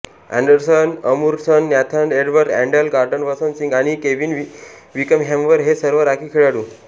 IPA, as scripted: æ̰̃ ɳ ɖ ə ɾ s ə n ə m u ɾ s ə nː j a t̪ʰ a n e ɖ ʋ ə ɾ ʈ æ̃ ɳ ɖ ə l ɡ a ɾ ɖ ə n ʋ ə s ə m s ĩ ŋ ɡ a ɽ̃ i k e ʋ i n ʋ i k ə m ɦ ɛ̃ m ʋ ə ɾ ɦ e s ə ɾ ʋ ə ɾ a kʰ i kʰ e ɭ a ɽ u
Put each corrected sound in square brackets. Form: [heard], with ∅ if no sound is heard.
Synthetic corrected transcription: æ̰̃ ɳ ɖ ə ɾ s ə n ə m u ɾ s ə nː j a t̪ʰ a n e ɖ ʋ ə ɾ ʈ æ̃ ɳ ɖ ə l ɡ a ɾ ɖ ə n ʋ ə s ə [n] s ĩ ŋ ɡ a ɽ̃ i k e ʋ i n ʋ i k ə m ɦ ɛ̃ m ʋ ə ɾ ɦ e s ə ɾ ʋ ə ɾ a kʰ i kʰ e ɭ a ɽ u